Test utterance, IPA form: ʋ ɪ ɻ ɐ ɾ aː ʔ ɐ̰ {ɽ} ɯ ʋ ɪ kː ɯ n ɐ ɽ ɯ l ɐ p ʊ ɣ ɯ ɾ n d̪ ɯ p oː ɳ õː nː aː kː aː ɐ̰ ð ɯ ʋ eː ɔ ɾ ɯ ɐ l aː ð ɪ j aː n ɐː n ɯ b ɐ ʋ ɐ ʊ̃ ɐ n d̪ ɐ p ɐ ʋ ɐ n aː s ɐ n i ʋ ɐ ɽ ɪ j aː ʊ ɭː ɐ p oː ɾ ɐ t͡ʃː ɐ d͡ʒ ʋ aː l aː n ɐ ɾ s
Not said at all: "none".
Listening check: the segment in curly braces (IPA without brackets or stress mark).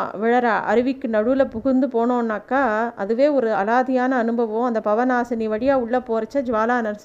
ɾ